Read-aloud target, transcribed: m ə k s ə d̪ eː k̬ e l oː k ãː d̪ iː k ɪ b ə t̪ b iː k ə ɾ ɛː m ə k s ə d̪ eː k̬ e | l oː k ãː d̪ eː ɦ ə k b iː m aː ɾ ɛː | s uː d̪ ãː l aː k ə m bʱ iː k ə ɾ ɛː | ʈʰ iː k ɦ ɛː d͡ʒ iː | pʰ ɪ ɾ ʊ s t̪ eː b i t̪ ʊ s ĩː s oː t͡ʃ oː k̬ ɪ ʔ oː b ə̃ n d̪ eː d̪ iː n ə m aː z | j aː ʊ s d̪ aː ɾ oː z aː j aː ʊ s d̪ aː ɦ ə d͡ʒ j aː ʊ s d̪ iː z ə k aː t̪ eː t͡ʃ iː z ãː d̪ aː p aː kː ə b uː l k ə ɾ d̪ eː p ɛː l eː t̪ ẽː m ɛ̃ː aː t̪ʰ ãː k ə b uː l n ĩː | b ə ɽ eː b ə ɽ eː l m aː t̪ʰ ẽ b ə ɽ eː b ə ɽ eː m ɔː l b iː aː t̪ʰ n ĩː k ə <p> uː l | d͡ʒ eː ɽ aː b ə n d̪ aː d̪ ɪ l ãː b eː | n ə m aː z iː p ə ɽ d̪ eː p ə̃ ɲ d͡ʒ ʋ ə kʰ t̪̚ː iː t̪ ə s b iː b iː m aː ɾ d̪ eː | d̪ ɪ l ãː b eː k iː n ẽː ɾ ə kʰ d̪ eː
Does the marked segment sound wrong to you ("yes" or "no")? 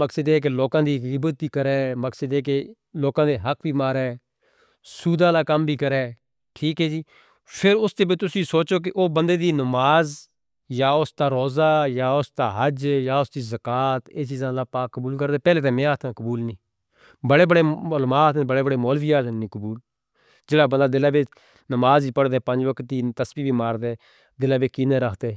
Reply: yes